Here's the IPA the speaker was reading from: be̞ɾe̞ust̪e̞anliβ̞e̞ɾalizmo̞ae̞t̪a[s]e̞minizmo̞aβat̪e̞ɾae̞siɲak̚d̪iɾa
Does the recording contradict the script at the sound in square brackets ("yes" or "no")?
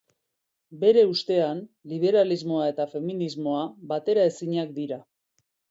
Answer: yes